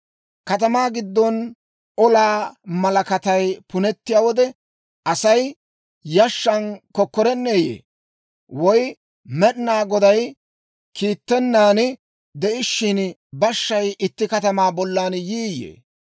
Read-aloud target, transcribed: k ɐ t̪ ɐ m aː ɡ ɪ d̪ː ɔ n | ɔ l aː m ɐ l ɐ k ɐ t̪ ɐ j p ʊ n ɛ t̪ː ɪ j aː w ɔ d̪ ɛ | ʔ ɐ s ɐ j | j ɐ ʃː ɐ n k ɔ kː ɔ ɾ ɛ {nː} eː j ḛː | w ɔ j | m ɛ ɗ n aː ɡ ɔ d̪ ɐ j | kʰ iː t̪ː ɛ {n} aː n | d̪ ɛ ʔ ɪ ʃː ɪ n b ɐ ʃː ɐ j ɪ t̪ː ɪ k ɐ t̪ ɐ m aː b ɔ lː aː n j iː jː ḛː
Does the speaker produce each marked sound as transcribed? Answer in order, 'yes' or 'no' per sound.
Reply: yes, no

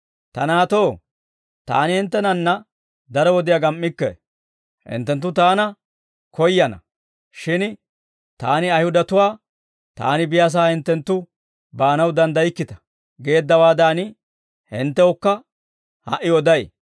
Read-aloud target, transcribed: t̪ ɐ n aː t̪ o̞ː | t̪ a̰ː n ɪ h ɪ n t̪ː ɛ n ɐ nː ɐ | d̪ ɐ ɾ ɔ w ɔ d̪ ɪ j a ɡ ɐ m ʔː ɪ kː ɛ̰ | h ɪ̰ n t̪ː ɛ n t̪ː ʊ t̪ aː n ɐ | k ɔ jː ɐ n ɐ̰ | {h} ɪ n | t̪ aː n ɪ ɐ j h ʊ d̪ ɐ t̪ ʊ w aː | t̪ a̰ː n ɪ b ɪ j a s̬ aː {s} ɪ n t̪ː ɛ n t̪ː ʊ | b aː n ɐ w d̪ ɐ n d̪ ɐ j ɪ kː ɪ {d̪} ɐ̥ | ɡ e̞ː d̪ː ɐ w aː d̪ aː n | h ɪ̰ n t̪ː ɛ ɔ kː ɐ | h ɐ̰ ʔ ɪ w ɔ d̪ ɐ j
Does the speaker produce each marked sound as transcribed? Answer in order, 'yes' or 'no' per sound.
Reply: no, no, no

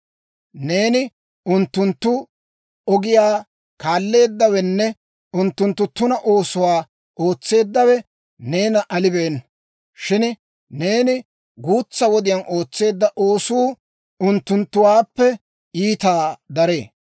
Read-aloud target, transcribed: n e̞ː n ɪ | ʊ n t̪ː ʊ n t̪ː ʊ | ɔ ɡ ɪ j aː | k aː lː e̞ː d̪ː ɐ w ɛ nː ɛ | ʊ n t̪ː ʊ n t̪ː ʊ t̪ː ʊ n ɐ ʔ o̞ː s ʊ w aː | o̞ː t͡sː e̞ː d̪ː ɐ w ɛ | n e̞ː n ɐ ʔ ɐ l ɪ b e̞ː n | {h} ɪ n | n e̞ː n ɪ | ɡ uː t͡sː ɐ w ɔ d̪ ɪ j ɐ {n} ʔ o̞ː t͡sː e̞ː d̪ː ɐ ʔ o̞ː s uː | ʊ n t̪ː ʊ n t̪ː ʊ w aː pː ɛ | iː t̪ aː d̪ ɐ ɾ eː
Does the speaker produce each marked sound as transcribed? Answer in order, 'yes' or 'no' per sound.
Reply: no, yes

